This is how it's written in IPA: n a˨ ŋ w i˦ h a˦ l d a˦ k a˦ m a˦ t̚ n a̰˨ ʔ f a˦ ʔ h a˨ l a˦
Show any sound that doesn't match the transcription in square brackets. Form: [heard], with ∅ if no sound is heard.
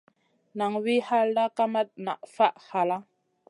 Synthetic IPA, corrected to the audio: n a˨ ŋ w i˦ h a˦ l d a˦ k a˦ m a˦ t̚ n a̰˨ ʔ f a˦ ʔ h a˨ l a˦